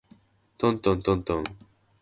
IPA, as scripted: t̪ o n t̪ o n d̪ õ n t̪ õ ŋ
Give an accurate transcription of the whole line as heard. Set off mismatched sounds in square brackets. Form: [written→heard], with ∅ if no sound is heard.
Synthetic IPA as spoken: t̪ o n t̪ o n [d̪→t̪] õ n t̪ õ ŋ